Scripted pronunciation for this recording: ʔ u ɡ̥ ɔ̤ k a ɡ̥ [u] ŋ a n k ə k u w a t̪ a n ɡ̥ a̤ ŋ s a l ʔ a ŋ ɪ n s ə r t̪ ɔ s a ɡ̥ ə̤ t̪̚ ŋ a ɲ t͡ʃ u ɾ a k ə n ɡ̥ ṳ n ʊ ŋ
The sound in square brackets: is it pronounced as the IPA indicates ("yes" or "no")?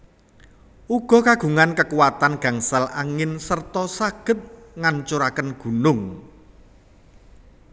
yes